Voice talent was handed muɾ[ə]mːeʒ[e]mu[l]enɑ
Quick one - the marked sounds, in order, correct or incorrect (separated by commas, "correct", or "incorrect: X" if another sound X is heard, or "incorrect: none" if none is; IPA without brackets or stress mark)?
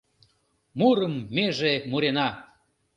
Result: correct, correct, incorrect: ɾ